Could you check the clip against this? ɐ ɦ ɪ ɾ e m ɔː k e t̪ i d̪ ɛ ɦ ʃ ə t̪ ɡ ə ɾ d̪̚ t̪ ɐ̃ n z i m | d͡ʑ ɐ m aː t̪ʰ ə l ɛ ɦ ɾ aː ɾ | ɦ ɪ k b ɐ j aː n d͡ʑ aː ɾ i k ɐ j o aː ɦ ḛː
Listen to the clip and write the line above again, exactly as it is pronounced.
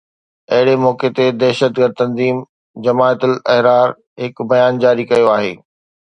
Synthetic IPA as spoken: ɐ ɦ ɪ ɽ e m ɔː k e t̪ e d̪ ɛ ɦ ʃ ə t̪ ɡ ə ɾ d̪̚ t̪ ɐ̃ n z iː m | d͡ʑ ɐ m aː t̪ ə l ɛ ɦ ɾ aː ɾ | ɦ ɪ k b ɐ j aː n d͡ʑ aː ɾ i k ɐ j o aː ɦ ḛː

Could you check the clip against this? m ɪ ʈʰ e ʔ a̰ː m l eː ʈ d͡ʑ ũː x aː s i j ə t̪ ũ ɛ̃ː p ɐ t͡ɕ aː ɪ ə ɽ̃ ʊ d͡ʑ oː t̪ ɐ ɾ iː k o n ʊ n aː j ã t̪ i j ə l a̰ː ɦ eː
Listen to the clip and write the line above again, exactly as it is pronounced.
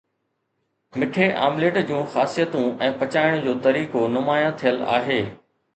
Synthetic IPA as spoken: m ɪ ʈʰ e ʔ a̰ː m l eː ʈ d͡ʑ ũː x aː s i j ə t̪ ũ ɛ̃ː p ɐ t͡ɕ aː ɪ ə ɽ̃ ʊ d͡ʑ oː t̪ ɐ ɾ iː k o n ʊ m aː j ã t̪ʰ i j ə l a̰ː ɦ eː

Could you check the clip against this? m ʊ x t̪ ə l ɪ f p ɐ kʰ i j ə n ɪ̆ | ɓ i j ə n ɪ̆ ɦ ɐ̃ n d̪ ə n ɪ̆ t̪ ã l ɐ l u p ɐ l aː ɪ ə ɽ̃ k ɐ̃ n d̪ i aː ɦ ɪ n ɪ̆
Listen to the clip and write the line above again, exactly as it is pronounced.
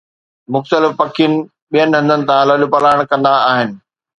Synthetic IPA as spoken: m ʊ x t̪ ə l ɪ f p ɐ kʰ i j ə n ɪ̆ | ɓ i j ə n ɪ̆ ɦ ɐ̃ n d̪ ə n ɪ̆ t̪ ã l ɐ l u p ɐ l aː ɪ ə ɽ̃ k ɐ̃ n d̪ a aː ɦ ɪ n ɪ̆

